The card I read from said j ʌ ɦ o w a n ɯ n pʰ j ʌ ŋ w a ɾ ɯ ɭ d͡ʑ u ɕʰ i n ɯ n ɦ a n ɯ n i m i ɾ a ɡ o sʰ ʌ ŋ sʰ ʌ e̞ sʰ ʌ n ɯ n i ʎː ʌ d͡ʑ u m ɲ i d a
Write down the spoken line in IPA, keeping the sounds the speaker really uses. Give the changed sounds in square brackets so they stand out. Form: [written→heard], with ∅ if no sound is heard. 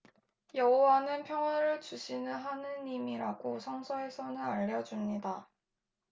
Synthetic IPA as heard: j ʌ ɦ o w a n ɯ n pʰ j ʌ ŋ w a ɾ ɯ ɭ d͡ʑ u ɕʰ i n ɯ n ɦ a n ɯ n i m i ɾ a ɡ o sʰ ʌ ŋ sʰ ʌ e̞ sʰ ʌ n ɯ n [i→a] ʎː ʌ d͡ʑ u m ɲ i d a